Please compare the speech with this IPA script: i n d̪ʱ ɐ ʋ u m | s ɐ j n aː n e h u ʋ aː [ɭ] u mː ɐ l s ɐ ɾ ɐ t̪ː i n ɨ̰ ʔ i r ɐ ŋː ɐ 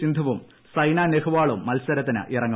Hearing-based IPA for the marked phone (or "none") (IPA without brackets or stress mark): ɭ